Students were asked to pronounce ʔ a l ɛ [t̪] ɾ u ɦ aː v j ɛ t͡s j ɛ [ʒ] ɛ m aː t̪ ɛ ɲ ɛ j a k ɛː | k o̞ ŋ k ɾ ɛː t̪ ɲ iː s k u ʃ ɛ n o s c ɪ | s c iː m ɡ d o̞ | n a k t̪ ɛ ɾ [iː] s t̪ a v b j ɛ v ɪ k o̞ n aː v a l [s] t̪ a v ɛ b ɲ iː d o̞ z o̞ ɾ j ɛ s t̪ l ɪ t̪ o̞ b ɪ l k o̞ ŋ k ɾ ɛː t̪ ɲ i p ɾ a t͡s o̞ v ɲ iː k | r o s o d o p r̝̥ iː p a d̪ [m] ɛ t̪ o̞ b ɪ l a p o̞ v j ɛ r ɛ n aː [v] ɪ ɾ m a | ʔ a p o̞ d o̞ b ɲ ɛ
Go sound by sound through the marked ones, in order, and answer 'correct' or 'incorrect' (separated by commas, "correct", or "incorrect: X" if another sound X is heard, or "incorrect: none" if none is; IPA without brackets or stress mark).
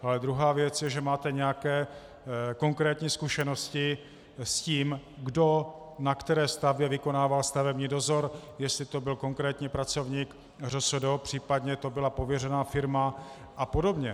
incorrect: d̪, correct, incorrect: ɛː, correct, incorrect: ɲ, incorrect: f